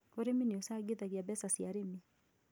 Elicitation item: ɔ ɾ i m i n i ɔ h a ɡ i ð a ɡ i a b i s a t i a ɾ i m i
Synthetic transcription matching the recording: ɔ ɾ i m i n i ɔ s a ɡ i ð a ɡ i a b ɛ s a s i a ɾ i m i